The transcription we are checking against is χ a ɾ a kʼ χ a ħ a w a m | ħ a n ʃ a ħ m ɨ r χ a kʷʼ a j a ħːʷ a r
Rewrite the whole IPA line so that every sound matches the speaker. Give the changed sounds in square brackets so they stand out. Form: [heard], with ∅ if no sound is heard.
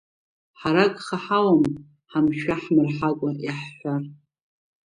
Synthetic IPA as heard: [ħ] a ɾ a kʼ χ a ħ a w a m | ħ a [m] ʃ a ħ m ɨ r [ħ] a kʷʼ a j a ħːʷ a r